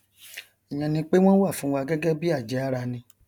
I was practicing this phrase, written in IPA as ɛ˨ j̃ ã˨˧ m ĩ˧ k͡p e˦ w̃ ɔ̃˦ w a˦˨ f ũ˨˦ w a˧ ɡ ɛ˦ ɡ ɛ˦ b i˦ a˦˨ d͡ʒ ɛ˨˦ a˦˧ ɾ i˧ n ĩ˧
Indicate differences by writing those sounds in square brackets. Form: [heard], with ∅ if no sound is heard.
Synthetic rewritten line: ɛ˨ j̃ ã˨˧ [n] ĩ˧ k͡p e˦ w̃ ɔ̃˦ w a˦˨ f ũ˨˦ w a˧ ɡ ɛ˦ ɡ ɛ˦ b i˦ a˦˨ d͡ʒ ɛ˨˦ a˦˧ ɾ [a˧] n ĩ˧